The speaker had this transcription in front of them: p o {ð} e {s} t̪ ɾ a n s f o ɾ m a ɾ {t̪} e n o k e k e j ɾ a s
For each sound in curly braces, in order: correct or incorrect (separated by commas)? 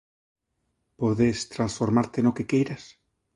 correct, correct, correct